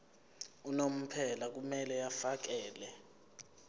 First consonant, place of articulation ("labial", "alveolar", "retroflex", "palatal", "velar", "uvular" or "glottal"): alveolar